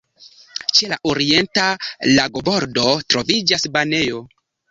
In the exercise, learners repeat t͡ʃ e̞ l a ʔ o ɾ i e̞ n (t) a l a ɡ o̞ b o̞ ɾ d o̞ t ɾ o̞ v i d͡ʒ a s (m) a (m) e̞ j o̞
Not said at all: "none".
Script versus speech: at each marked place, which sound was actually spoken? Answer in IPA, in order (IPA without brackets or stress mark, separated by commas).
t, b, n